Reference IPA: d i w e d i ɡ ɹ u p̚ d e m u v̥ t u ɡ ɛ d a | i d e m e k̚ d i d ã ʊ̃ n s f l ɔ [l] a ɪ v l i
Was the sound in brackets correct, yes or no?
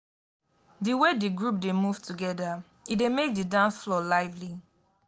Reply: yes